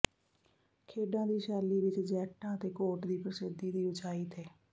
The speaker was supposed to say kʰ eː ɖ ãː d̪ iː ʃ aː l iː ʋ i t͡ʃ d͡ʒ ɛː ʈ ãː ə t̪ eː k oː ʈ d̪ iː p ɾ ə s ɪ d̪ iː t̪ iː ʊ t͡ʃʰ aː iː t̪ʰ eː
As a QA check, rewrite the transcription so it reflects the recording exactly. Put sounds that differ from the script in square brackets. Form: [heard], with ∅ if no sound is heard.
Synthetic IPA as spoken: kʰ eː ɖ ãː d̪ iː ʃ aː l iː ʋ [ɪ] t͡ʃ d͡ʒ ɛː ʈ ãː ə t̪ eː k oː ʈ d̪ iː p ɾ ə s ɪ d̪ iː [d̪] iː ʊ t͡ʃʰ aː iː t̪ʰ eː